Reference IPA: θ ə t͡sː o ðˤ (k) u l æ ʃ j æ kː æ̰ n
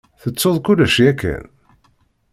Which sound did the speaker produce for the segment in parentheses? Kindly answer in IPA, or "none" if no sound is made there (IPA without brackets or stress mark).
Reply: k